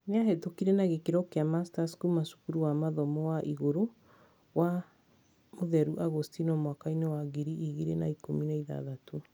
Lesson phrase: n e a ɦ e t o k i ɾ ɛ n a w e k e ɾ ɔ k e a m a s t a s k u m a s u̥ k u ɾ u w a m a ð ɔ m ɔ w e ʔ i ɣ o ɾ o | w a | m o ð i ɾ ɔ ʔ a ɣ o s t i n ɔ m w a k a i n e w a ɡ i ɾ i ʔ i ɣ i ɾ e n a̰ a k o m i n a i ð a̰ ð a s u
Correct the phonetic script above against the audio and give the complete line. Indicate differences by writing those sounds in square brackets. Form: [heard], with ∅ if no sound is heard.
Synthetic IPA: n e a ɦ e t o k i ɾ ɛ n a [ɣ] e k e ɾ ɔ k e a m a s t a s k u m a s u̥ k u ɾ u w a m a ð ɔ m ɔ w [a] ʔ i ɣ o ɾ o | w a | m o ð [ɛ] ɾ [u] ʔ a ɣ o s t i n ɔ m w a k a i n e w a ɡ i ɾ i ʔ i ɣ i ɾ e n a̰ [i] k o m i n a i ð a̰ ð a [t] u